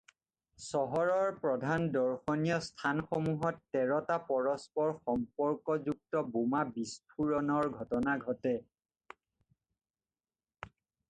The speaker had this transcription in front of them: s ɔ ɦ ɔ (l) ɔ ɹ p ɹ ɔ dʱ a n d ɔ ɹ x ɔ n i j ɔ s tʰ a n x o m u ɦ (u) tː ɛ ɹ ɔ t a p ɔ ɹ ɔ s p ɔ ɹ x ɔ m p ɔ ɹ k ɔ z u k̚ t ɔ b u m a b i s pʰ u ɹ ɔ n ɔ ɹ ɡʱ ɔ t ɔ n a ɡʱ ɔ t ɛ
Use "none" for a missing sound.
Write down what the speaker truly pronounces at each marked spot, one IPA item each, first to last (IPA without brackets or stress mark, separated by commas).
ɹ, ɔ